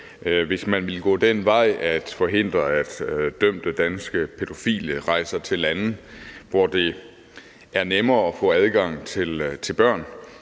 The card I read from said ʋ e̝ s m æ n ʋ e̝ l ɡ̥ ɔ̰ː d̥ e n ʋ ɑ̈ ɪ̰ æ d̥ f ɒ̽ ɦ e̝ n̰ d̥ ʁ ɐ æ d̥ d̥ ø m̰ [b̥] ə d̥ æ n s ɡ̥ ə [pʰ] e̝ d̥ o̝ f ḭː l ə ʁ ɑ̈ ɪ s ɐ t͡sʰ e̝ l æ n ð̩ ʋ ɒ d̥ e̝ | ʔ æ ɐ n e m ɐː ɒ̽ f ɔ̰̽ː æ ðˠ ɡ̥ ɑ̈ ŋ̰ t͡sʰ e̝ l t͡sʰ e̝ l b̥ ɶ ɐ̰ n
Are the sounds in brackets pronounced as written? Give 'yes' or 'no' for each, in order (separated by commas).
no, yes